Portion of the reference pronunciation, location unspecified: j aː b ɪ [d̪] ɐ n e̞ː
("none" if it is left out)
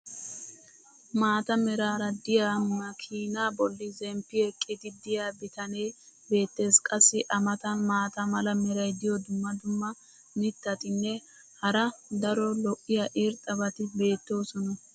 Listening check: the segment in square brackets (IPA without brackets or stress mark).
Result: t̪